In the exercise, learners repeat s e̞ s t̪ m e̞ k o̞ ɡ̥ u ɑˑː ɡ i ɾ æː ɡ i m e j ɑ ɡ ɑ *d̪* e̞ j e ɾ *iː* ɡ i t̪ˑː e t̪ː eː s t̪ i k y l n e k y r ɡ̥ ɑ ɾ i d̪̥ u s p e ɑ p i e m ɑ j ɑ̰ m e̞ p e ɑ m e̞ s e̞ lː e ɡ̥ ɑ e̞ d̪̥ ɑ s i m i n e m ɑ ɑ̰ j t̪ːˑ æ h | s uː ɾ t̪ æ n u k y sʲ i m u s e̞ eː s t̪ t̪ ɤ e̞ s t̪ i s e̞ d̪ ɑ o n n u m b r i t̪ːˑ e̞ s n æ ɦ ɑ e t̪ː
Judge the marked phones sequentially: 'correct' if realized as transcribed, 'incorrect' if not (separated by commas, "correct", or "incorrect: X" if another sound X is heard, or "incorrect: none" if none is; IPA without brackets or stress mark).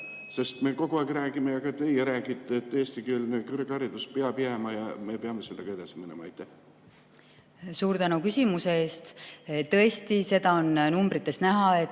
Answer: incorrect: t̪, incorrect: æː